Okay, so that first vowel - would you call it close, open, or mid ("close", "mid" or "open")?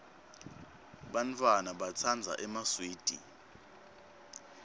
open